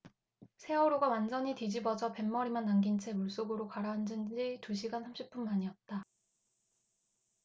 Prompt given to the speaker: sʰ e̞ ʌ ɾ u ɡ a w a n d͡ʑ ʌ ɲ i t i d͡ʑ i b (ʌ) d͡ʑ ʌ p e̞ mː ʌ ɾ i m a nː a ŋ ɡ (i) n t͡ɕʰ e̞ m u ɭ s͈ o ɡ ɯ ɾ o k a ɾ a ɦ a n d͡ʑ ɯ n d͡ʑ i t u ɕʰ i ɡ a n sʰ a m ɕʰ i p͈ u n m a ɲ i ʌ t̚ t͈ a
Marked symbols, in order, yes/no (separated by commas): yes, yes